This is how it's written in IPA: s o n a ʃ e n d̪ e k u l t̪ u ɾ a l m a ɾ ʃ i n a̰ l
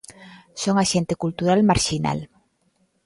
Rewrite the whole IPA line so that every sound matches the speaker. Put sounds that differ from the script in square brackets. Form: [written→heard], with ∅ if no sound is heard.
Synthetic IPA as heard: s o [n→ŋ] a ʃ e n [d̪→t̪] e k u l t̪ u ɾ a l m a ɾ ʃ i n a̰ l